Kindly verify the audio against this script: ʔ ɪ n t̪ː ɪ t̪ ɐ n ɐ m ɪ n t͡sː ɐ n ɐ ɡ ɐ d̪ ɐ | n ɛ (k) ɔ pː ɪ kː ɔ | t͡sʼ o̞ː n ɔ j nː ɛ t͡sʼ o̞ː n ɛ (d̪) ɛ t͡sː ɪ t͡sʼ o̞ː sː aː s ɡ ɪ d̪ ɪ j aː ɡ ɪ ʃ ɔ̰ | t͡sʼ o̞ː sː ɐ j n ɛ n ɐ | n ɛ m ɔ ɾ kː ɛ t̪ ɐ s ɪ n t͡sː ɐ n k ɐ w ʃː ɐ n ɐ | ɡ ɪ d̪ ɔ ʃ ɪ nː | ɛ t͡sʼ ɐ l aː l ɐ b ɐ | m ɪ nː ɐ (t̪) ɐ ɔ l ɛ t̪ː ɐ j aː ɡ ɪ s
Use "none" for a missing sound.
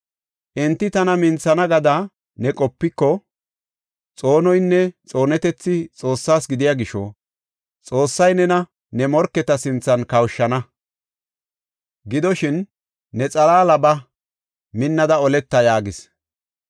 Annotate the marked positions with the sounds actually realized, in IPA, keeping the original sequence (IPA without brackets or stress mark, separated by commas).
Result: kʼ, t̪, d̪